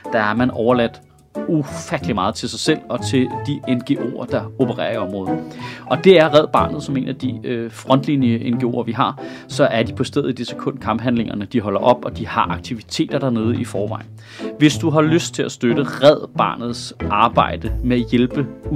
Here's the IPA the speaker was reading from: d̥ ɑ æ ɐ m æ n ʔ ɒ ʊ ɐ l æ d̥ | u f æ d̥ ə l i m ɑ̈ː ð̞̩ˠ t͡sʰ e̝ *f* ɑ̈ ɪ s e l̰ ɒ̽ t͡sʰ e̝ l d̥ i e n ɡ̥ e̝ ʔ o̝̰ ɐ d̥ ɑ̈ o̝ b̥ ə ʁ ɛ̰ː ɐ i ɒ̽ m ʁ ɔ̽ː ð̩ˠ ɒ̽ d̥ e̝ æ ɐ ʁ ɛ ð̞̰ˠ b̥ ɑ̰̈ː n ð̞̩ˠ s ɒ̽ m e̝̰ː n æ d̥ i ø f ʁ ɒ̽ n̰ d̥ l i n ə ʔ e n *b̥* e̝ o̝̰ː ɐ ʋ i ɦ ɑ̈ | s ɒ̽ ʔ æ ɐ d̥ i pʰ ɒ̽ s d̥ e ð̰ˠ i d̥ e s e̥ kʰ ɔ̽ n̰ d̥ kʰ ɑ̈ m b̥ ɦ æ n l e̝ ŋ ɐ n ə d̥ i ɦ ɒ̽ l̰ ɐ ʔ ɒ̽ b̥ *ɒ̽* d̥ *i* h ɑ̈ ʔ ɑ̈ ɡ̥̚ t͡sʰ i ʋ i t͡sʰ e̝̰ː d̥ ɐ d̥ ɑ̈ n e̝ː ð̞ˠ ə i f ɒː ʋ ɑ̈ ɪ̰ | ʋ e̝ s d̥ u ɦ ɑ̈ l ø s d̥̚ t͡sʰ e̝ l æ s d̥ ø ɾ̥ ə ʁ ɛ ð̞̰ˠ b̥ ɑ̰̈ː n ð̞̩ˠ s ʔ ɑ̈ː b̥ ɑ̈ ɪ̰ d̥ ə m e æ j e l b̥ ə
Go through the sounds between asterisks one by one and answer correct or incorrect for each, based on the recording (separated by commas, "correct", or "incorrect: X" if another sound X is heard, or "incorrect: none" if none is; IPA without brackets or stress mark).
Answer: incorrect: s, incorrect: ɡ̥, correct, correct